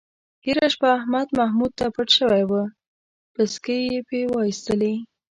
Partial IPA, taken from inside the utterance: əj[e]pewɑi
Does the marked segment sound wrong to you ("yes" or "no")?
no